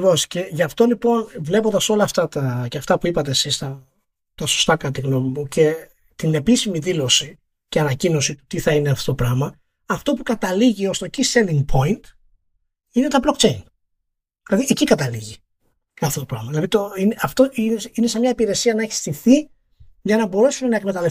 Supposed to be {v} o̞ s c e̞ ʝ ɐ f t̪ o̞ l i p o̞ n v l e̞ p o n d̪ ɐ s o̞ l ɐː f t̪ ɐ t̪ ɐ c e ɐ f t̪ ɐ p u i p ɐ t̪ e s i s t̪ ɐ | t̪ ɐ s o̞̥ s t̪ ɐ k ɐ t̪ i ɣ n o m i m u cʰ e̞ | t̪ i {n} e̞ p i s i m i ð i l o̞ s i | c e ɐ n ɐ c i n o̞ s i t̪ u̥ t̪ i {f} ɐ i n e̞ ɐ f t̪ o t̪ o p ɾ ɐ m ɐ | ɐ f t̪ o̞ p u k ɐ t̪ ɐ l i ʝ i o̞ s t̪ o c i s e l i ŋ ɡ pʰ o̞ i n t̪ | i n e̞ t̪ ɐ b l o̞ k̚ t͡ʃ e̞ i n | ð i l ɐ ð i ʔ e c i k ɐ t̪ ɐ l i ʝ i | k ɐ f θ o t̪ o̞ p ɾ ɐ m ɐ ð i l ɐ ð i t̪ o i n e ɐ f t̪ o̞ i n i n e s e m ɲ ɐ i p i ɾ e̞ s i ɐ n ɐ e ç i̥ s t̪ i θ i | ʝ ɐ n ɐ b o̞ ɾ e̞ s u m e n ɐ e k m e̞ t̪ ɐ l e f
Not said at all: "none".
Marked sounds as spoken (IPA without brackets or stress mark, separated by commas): v, n, θ